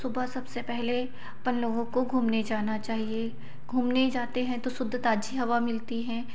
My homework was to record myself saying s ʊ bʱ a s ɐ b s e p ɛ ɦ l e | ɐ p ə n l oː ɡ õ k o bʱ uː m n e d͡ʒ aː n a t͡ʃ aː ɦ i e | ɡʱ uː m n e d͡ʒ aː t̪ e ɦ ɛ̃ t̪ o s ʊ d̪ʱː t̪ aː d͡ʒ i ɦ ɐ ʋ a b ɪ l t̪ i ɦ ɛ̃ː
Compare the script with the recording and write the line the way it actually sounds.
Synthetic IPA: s ʊ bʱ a s ɐ b s e p ɛ ɦ l e | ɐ p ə n l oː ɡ õ k o ɡʱ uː m n e d͡ʒ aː n a t͡ʃ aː ɦ i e | ɡʱ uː m n e d͡ʒ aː t̪ e ɦ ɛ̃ t̪ o s ʊ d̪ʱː t̪ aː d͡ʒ i ɦ ɐ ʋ a m ɪ l t̪ i ɦ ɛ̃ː